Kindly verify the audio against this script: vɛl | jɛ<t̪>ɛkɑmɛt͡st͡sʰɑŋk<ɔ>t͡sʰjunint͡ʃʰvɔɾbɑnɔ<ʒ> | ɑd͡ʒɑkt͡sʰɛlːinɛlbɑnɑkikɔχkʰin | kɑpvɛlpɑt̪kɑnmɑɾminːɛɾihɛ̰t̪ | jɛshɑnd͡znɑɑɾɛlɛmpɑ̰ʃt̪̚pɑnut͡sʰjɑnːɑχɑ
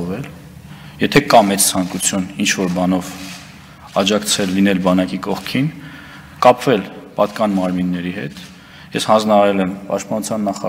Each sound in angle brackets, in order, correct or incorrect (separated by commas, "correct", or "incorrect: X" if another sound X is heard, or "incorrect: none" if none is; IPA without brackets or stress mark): incorrect: t̪ʰ, incorrect: u, incorrect: v